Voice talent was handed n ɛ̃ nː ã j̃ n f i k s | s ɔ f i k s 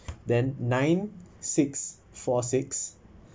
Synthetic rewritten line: d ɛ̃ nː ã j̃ n s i k s | f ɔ s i k s